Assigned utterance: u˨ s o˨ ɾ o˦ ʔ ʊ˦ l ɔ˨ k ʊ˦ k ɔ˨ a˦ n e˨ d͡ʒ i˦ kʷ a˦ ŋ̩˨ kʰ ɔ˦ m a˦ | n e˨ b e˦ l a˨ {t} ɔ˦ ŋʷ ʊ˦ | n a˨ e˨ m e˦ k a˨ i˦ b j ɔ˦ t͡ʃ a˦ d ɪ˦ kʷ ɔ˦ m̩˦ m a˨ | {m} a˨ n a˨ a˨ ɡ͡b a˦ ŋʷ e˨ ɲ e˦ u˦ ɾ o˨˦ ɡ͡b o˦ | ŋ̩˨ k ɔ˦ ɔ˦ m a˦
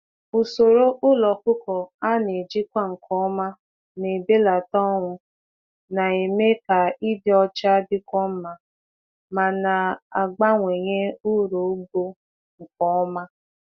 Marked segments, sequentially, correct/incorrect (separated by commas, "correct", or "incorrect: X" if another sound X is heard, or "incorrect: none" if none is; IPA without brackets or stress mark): correct, correct